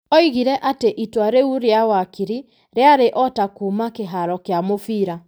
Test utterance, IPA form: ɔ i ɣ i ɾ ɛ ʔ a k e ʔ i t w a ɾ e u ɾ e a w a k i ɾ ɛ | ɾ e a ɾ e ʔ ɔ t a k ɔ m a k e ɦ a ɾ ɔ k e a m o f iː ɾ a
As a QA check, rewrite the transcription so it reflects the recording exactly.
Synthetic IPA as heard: ɔ i ɣ i ɾ ɛ ʔ a t e ʔ i t w a ɾ e u ɾ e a w a k i ɾ i | ɾ e a ɾ e ʔ ɔ t a k u m a k e ɦ a ɾ ɔ k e a m o f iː ɾ a